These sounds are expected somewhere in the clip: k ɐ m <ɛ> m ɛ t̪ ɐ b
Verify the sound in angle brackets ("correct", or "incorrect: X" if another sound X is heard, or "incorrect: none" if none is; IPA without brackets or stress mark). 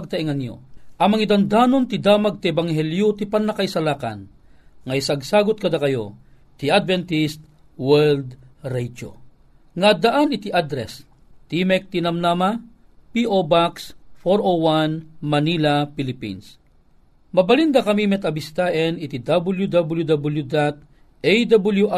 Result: incorrect: i